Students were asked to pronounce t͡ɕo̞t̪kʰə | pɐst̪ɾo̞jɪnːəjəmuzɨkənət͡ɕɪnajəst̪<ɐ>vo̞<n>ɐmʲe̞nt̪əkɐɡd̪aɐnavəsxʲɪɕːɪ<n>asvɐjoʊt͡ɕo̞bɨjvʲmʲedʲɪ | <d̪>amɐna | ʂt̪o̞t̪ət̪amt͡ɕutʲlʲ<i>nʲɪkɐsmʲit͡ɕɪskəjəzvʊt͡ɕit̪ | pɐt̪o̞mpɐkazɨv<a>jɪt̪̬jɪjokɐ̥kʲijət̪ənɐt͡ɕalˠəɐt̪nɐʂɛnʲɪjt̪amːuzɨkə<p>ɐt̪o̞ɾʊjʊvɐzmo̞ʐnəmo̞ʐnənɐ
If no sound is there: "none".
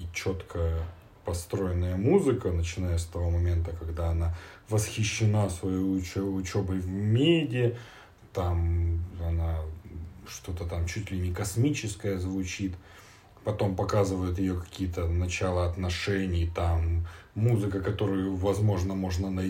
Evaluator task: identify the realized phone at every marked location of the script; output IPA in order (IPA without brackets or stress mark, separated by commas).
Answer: ɐ, m, n, t̪, ɪ, ə, k